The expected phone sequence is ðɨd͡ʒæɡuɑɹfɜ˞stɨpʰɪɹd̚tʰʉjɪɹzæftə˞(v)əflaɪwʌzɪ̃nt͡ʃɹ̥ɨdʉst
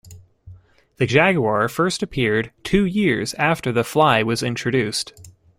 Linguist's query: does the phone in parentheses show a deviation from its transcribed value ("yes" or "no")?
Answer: yes